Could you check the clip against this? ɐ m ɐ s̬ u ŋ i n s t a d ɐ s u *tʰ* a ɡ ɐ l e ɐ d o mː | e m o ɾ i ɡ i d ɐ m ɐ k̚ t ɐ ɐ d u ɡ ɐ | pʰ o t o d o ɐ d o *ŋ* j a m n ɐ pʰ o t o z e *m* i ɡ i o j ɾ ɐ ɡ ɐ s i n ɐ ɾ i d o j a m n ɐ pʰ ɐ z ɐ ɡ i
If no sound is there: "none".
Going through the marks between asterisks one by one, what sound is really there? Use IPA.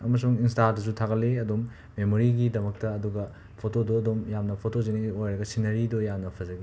tʰ, m, n

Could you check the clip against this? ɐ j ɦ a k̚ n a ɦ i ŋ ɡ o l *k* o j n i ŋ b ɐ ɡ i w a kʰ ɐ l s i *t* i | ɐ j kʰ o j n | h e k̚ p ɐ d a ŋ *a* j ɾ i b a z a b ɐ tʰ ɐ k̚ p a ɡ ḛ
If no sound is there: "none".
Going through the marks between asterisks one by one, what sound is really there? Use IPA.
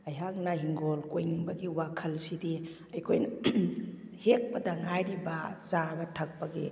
k, d, a

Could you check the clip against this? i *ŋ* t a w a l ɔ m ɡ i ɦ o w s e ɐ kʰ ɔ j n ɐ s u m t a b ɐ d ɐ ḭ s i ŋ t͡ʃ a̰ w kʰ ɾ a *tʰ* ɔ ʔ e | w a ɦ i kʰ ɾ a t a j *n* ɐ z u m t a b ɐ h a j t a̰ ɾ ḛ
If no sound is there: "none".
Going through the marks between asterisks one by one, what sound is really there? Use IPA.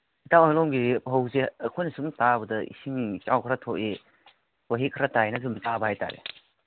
none, tʰ, n

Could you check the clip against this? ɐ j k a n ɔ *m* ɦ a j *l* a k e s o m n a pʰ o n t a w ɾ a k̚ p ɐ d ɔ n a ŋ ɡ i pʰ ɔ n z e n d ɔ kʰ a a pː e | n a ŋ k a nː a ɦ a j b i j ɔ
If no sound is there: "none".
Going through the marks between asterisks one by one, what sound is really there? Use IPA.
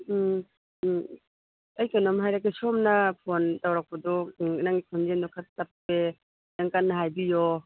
m, ɾ

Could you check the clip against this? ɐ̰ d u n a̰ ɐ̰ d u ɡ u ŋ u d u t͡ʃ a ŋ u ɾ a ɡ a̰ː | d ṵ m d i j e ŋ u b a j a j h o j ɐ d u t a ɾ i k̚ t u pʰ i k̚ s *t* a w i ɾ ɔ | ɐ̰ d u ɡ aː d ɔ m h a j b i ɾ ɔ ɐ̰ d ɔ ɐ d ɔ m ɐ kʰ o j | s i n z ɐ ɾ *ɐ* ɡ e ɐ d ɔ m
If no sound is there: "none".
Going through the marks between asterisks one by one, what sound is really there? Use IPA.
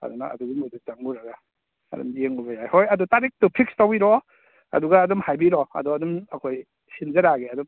t, a

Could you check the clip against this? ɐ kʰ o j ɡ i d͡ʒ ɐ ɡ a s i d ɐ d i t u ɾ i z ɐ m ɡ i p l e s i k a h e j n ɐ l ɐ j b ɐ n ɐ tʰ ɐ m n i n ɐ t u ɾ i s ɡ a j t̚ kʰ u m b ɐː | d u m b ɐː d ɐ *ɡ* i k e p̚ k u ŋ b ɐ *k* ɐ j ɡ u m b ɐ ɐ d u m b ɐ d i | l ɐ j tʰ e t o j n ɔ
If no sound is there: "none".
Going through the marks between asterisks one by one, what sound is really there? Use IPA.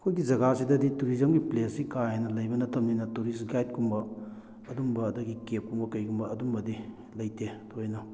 ɡ, k

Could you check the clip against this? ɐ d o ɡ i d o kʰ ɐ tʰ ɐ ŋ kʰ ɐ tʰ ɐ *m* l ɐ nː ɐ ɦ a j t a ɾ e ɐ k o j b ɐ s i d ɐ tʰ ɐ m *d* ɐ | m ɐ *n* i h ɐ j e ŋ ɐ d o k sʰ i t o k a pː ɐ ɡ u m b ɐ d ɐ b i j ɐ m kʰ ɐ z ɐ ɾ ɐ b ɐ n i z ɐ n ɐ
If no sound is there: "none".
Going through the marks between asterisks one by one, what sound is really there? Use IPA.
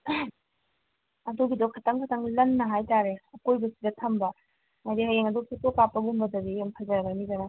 ŋ, b, d

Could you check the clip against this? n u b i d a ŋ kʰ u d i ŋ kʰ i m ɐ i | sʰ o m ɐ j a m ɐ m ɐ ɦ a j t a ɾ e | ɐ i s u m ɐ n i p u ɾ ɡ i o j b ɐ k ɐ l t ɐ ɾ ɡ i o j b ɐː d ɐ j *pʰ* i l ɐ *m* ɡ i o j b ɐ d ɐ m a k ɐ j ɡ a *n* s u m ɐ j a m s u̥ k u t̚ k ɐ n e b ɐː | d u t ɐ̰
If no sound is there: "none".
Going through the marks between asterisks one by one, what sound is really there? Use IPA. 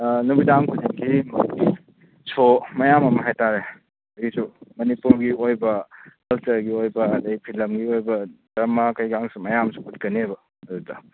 pʰ, m, ŋ

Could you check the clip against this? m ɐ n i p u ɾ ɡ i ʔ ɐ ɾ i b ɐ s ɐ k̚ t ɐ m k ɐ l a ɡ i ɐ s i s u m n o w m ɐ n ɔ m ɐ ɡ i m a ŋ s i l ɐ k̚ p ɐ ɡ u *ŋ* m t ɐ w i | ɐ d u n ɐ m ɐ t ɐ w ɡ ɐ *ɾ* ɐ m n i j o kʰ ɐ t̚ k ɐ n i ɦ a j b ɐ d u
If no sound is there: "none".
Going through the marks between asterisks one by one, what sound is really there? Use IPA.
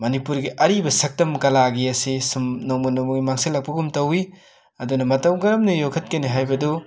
none, ɾ

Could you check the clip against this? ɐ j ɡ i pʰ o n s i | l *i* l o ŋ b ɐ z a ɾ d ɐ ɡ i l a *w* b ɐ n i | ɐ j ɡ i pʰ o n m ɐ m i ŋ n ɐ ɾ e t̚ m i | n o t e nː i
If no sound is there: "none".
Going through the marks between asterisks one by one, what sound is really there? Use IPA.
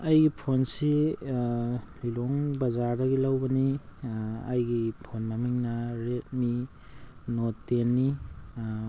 i, w

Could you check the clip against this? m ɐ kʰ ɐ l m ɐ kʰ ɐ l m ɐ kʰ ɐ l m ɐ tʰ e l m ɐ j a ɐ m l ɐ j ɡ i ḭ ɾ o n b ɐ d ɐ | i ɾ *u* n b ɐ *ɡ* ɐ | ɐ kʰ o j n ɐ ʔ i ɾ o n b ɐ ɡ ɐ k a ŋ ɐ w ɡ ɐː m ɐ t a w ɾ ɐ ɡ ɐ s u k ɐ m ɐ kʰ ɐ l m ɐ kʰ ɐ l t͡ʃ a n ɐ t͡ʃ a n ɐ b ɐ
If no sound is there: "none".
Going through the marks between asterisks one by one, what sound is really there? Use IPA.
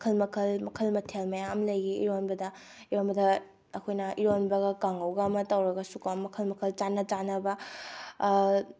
o, d

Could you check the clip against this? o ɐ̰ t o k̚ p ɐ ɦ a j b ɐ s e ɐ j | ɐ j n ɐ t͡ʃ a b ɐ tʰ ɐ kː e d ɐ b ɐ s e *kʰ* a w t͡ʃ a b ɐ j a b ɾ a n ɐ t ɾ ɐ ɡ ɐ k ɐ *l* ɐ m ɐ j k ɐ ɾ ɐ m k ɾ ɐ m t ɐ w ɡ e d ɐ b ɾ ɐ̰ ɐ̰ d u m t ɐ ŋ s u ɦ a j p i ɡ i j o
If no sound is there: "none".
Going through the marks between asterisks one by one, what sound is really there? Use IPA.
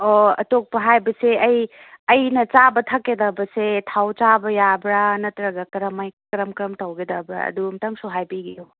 tʰ, ɾ

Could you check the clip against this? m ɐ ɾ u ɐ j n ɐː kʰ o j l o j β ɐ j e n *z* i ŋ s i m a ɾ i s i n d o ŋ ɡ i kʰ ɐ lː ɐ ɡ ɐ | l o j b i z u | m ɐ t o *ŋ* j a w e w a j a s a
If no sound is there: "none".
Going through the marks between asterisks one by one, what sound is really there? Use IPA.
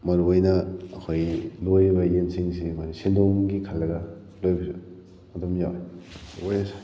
s, m

